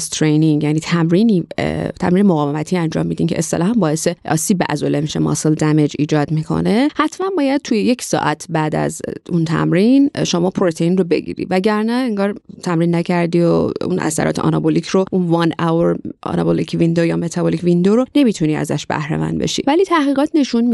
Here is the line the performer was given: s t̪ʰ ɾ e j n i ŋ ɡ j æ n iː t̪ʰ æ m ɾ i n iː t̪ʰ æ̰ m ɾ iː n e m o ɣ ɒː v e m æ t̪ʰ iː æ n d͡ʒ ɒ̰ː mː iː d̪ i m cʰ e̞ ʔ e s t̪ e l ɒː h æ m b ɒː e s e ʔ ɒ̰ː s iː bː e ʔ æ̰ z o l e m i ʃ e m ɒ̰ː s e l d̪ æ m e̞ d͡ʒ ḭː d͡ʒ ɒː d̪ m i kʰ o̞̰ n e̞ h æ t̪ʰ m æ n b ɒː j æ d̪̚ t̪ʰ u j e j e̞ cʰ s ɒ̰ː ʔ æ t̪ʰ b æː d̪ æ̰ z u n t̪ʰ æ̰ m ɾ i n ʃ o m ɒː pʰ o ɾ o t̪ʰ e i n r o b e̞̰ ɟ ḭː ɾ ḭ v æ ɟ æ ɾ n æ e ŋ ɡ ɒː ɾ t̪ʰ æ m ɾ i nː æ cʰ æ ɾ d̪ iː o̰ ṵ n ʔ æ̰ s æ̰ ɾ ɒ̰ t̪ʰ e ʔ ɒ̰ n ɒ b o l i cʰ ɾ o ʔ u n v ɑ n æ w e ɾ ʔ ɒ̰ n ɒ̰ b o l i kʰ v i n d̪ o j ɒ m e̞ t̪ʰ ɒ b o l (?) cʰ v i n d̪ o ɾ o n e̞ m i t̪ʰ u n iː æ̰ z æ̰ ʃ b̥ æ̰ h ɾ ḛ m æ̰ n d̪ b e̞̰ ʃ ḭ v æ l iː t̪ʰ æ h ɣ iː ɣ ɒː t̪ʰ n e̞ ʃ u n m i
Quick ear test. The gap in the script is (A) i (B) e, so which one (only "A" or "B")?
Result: A